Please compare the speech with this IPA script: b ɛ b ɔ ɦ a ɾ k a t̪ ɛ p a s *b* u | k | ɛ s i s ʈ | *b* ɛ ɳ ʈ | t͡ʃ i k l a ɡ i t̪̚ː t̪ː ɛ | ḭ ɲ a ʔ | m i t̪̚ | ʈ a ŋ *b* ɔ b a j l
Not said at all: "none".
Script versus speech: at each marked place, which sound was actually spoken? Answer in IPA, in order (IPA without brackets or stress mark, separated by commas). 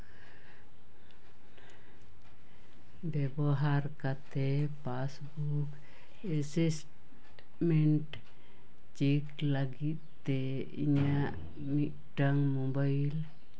b, m, m